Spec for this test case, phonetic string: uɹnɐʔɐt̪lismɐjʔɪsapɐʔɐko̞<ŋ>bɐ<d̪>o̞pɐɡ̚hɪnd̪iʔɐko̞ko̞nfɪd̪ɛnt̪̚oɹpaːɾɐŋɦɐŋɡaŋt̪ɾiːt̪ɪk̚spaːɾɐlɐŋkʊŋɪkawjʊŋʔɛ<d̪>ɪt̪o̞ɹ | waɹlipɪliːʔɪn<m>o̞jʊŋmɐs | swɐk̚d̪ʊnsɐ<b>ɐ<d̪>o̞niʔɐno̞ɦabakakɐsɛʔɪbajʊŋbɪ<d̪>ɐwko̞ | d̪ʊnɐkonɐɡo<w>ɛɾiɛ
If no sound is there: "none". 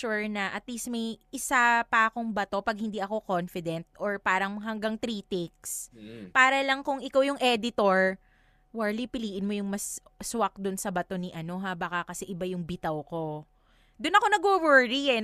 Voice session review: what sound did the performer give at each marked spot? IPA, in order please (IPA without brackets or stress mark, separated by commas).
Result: ŋ, t̪, d̪, m, b, t̪, t̪, w